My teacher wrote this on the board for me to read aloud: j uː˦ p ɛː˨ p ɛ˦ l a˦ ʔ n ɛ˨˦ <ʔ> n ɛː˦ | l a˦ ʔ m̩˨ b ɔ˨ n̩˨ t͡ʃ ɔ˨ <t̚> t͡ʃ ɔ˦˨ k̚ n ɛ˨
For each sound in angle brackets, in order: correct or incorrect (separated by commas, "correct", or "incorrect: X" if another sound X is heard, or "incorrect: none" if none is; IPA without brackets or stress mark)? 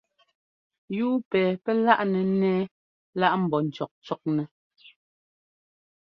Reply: incorrect: none, incorrect: k̚